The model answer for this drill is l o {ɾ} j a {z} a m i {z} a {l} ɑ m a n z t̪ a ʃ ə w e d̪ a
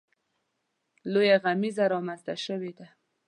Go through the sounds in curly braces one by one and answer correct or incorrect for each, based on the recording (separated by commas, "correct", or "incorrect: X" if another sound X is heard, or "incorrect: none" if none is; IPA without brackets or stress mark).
incorrect: none, incorrect: ɣ, correct, incorrect: ɾ